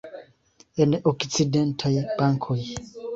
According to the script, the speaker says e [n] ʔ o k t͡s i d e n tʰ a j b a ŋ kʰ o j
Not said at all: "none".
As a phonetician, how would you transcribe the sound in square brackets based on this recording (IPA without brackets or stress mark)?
n